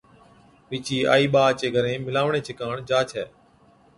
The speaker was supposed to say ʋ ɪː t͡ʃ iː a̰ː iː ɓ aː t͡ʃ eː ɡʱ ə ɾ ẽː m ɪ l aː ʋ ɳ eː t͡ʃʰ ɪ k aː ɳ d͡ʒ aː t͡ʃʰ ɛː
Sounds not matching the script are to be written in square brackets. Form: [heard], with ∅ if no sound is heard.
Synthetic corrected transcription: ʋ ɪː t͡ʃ iː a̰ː iː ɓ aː t͡ʃ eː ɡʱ ə ɾ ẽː m ɪ l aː ʋ ɳ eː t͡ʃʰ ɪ k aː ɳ d͡ʒ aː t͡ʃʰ ɛː